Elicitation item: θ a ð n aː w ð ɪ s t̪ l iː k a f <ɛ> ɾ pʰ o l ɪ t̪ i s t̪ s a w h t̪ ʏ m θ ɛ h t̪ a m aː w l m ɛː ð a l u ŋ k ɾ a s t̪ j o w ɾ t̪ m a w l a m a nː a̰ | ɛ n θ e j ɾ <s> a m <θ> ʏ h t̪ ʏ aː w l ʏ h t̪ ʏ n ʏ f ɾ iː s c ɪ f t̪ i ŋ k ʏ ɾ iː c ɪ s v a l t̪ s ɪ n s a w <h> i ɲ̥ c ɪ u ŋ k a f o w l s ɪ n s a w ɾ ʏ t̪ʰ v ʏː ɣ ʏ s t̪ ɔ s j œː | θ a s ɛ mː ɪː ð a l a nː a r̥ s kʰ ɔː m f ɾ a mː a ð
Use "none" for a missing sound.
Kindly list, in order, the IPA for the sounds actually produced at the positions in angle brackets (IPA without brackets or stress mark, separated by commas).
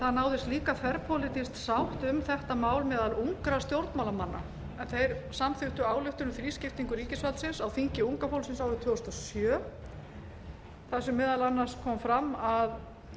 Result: ɛ, s, θ, f